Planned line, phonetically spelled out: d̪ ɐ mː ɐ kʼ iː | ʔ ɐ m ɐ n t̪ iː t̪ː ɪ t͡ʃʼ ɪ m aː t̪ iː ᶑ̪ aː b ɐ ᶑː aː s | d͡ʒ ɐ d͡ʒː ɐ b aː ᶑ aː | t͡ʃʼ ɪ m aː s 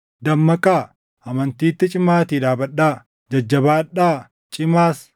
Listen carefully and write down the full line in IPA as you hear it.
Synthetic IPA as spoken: d̪ ɐ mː ɐ kʼ aː | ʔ ɐ m ɐ n t̪ iː t̪ː ɪ t͡ʃʼ ɪ m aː t̪ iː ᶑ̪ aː b ɐ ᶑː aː | d͡ʒ ɐ d͡ʒː ɐ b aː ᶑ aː | t͡ʃʼ ɪ m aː s